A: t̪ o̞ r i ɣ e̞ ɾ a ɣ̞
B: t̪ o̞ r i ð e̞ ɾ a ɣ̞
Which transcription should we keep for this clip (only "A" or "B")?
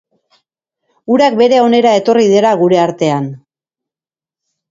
B